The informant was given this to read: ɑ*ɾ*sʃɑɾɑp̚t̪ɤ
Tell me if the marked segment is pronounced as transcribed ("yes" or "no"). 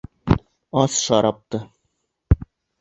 no